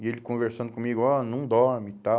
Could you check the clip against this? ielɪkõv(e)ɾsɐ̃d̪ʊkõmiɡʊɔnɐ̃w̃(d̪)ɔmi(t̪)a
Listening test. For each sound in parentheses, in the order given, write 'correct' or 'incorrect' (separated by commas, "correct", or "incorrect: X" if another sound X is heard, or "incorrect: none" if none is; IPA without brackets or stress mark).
correct, correct, correct